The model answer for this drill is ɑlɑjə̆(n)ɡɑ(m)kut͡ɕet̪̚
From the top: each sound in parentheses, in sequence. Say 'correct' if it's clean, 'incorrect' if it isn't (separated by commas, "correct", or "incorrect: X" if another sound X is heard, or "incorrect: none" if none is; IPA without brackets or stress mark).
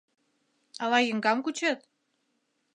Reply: incorrect: ŋ, correct